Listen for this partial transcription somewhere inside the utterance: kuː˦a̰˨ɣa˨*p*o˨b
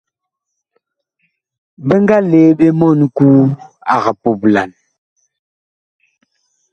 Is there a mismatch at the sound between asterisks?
no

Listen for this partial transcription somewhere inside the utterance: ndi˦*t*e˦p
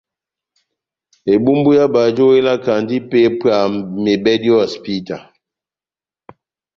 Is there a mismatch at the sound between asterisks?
yes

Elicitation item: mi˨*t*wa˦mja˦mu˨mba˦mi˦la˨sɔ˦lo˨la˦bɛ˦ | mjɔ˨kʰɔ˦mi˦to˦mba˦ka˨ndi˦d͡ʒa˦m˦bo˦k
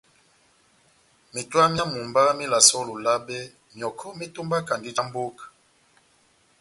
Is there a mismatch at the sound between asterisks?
no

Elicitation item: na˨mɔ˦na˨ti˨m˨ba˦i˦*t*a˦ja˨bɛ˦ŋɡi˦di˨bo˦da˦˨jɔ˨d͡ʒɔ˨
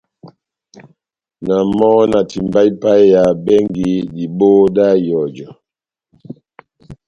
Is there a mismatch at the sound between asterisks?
yes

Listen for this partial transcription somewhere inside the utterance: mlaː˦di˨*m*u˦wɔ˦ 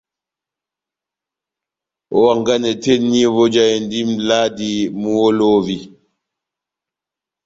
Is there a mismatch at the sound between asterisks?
no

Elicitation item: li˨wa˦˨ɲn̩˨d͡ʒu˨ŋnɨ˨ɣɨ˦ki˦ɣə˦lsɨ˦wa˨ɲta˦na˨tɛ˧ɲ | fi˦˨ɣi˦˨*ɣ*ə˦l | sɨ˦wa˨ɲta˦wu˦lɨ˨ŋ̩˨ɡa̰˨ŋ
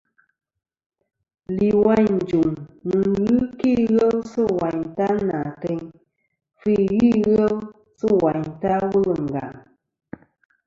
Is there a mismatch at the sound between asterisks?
no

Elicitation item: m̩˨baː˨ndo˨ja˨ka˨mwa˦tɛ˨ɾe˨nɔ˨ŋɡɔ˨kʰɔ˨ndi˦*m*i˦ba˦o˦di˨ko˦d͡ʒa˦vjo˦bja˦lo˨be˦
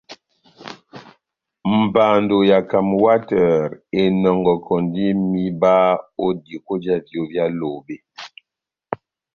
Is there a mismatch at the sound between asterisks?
no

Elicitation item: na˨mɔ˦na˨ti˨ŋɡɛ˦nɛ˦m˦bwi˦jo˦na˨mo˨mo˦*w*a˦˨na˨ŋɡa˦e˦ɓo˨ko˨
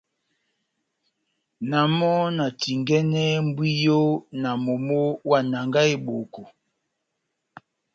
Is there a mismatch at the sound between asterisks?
no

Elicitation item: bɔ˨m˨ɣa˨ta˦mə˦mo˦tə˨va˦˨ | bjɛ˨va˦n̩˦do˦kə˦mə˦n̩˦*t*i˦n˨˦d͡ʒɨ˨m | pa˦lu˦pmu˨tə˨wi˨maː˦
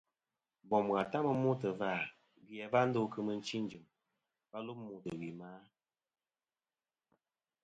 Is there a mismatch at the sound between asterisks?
yes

